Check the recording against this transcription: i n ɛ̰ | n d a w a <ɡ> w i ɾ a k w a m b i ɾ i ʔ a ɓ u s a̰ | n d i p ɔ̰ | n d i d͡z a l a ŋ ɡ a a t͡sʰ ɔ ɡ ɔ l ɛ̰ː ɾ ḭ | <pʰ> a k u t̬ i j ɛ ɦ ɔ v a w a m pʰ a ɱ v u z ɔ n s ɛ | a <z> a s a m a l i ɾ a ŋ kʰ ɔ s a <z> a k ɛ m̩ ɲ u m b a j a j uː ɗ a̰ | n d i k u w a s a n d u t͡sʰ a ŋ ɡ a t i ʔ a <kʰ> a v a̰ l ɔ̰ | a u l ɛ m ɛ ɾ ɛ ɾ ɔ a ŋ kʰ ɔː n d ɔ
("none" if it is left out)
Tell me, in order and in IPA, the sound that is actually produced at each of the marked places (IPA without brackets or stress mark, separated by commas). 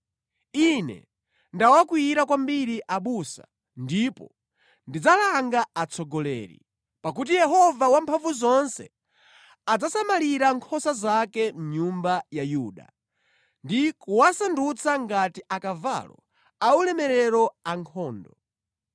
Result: k, p, d͡z, z, k